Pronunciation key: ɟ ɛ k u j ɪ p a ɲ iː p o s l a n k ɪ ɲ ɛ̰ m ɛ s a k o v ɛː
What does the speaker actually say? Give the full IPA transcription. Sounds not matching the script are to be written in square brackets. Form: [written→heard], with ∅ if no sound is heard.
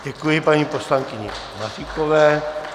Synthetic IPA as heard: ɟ ɛ k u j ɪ p a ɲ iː p o s l a [n→ŋ] k ɪ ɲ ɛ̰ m [ɛ→a] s [a→i] k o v ɛː

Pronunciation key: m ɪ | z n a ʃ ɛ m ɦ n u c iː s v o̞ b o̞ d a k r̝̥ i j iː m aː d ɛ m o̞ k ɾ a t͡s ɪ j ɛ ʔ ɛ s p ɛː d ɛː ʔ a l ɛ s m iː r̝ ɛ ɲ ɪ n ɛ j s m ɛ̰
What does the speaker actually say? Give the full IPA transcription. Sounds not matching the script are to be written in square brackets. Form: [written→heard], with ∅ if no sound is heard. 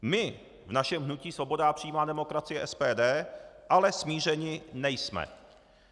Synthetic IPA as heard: m ɪ | [z→v] n a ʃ ɛ m ɦ n u c iː s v o̞ b o̞ d a [k→p] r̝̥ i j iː m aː d ɛ m o̞ k ɾ a t͡s ɪ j ɛ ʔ ɛ s p ɛː d ɛː ʔ a l ɛ s m iː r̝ ɛ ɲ ɪ n ɛ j s m ɛ̰

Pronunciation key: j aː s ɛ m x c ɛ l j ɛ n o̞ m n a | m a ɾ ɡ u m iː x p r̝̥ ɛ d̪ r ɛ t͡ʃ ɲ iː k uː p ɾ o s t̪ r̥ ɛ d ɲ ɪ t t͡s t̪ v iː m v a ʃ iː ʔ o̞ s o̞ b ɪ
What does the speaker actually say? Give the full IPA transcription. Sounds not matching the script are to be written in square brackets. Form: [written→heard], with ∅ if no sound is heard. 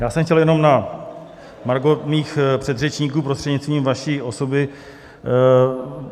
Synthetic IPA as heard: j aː s ɛ m x c ɛ l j ɛ n o̞ m n a | m a ɾ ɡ [u→o] m iː x p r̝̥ ɛ d̪ r ɛ t͡ʃ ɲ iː k uː p ɾ o s t̪ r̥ ɛ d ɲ ɪ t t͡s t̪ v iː m v a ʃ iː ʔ o̞ s o̞ b ɪ

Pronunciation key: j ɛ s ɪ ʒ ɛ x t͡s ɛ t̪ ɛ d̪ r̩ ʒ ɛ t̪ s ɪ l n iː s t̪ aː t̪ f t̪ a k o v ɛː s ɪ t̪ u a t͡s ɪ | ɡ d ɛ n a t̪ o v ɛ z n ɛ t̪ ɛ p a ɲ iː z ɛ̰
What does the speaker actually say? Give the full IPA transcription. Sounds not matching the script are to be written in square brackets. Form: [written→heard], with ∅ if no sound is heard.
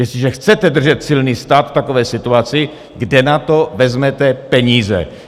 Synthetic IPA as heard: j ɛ s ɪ ʒ ɛ x t͡s ɛ t̪ ɛ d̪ r̩ ʒ ɛ t̪ s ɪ l n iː s t̪ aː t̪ f t̪ a k o v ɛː s ɪ t̪ u a t͡s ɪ | ɡ d ɛ n a t̪ o v ɛ z [n→m] ɛ t̪ ɛ p [a→ɛ] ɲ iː z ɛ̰

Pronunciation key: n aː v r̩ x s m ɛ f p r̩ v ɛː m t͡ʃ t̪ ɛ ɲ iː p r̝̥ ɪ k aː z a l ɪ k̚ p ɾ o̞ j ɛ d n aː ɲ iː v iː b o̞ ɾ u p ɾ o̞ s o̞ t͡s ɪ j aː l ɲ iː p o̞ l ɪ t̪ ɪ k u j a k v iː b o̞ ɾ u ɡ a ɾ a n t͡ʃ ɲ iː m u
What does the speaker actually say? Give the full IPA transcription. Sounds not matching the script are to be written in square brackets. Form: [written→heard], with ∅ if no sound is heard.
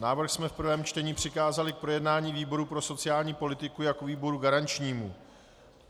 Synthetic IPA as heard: n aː v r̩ x s m ɛ f p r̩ v ɛː m t͡ʃ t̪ ɛ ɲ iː p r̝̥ ɪ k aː z a l ɪ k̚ p ɾ o̞ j ɛ d n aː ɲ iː v iː b o̞ ɾ u p ɾ o̞ s o̞ t͡s ɪ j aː l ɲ iː p o̞ l ɪ t̪ ɪ k u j a k v iː b o̞ ɾ u ɡ a ɾ a n t͡ʃ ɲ iː m u

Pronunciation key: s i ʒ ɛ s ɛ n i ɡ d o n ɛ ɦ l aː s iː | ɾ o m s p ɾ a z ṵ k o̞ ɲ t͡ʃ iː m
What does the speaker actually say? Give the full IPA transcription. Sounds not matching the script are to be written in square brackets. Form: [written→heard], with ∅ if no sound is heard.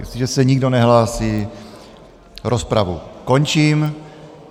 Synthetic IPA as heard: s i ʒ ɛ s ɛ [n→ɲ] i ɡ d o n ɛ ɦ l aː s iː | ɾ o [m→∅] s p ɾ a [z→v] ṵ k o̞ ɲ t͡ʃ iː m

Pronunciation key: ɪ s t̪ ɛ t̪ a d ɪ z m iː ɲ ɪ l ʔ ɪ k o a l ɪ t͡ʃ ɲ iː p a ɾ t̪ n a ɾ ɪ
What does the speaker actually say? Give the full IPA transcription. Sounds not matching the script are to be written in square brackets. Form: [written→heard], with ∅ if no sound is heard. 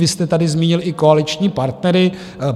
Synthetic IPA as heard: ɪ s t̪ ɛ t̪ a d ɪ z m iː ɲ ɪ l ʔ ɪ k o a l ɪ t͡ʃ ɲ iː p a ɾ t̪ n [a→ɛ] ɾ ɪ

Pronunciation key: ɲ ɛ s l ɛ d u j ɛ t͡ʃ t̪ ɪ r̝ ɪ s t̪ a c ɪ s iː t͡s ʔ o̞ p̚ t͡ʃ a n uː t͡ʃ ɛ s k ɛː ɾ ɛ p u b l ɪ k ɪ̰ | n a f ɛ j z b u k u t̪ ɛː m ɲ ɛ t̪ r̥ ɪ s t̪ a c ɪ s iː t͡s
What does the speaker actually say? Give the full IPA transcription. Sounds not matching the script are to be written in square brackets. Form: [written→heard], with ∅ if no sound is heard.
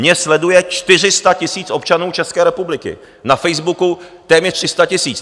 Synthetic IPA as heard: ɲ ɛ s l ɛ d u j ɛ t͡ʃ t̪ ɪ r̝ ɪ s t̪ a c ɪ s iː t͡s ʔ o̞ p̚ t͡ʃ a n uː t͡ʃ ɛ s k ɛː ɾ ɛ p u b l ɪ k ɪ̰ | n a f ɛ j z b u k u t̪ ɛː m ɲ ɛ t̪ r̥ ɪ s t̪ a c ɪ s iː t͡s

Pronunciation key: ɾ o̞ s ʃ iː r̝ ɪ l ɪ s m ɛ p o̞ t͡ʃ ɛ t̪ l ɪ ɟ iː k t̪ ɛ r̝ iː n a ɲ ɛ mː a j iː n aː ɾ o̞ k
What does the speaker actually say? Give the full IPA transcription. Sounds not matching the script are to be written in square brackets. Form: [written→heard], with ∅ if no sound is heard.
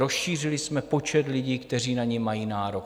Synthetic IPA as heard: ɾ o̞ s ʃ iː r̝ ɪ l ɪ s m ɛ p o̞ t͡ʃ ɛ t̪ l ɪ ɟ iː k t̪ ɛ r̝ iː n a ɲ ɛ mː a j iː n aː ɾ o̞ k

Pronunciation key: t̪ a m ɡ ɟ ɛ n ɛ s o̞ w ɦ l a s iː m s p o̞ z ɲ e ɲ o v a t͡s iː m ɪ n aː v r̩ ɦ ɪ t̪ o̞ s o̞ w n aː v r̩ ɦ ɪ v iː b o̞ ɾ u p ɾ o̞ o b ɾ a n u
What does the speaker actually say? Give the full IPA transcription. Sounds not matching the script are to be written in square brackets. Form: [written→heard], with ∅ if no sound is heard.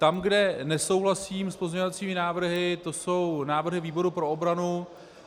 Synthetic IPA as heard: t̪ a m ɡ [ɟ→d] ɛ n ɛ s o̞ w ɦ l a s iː m s p o̞ z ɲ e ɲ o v a t͡s iː m ɪ n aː v r̩ ɦ ɪ t̪ o̞ s o̞ w n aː v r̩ ɦ ɪ v iː b o̞ ɾ u p ɾ o̞ o b ɾ a n u

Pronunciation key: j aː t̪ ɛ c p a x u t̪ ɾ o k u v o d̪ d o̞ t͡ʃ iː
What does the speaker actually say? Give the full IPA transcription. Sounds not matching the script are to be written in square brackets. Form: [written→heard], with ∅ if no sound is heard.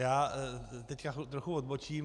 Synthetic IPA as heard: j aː t̪ ɛ c [p→k] a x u t̪ ɾ o [k→x] u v o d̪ [d→b] o̞ t͡ʃ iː

